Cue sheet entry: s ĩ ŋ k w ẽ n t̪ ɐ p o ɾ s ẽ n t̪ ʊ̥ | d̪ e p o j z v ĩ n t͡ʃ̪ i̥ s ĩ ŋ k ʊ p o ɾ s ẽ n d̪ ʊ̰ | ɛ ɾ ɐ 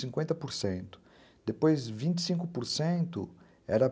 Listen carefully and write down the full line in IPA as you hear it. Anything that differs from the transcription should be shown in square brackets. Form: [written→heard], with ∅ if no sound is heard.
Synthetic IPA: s ĩ ŋ k w ẽ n t̪ ɐ p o ɾ s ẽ n t̪ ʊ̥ | d̪ e p o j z v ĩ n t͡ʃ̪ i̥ s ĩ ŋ k ʊ p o ɾ s ẽ n [d̪→t̪] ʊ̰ | ɛ ɾ ɐ